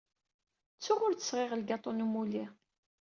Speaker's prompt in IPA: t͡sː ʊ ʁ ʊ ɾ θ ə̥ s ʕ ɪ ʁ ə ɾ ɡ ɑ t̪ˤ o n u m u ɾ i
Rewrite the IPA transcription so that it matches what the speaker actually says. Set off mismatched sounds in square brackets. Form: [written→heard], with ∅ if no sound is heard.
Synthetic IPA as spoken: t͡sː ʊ ʁ ʊ ɾ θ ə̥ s [ʕ→ʁ] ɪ ʁ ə [ɾ→l] ɡ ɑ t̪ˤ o n u m u [ɾ→l] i